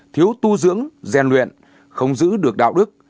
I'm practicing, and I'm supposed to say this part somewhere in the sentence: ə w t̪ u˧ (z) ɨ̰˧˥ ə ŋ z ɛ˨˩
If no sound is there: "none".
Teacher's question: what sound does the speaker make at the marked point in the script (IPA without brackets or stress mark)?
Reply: z